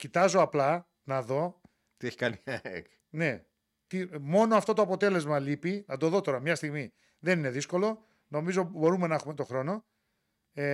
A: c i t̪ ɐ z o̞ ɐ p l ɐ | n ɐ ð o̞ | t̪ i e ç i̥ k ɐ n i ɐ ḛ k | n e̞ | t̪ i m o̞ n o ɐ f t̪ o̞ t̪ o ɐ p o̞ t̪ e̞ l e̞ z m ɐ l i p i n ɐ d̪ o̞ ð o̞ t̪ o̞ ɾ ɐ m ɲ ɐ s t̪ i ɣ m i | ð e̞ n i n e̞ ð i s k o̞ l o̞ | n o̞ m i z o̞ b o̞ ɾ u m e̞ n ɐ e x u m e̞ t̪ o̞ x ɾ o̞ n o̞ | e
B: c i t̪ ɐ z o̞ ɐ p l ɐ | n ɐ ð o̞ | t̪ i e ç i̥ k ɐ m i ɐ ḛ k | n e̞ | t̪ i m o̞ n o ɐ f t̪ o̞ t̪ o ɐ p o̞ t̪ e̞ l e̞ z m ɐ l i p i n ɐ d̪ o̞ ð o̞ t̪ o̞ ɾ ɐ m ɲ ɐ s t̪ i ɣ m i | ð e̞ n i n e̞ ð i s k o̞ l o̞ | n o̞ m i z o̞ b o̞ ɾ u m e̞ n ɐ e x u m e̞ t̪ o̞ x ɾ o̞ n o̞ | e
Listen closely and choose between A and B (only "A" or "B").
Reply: A